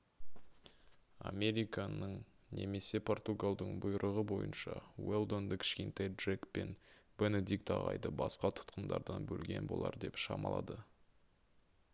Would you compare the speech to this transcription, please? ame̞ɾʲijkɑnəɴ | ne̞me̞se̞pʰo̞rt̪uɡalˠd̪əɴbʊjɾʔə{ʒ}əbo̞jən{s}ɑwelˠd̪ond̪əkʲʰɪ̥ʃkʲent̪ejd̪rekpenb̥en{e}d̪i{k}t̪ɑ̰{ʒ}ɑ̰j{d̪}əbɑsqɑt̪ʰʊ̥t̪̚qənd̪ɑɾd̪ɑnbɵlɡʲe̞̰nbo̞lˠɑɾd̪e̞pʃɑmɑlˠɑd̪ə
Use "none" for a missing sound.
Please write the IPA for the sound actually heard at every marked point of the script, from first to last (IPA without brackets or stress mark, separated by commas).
ʁ, ʃ, e, k, ʁ, d̪